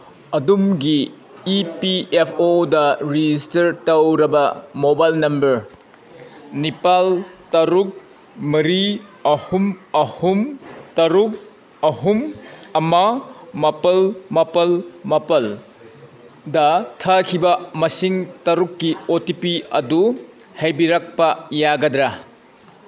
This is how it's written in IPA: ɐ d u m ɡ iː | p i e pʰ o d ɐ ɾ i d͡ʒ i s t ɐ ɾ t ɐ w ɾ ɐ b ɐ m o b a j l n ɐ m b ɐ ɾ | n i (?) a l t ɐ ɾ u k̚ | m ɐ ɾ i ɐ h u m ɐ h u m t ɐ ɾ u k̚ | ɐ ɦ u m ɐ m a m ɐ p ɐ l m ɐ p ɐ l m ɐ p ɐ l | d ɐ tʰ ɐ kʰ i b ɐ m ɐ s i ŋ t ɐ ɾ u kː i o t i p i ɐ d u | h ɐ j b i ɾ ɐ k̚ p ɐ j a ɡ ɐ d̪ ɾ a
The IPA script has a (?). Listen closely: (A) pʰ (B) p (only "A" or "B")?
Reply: B